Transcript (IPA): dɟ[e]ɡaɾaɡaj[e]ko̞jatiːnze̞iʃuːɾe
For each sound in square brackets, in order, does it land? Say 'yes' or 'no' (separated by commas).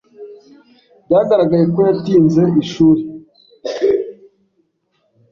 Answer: no, yes